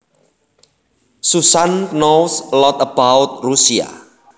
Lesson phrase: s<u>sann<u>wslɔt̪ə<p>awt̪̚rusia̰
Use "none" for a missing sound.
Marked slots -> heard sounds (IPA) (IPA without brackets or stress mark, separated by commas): u, o, b